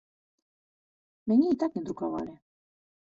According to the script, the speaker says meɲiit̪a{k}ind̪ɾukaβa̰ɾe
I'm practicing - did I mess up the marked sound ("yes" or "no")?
no